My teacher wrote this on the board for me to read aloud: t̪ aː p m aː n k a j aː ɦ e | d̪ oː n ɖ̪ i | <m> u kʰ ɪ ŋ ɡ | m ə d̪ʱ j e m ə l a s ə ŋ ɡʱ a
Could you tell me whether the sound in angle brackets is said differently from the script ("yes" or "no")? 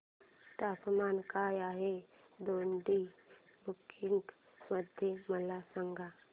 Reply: yes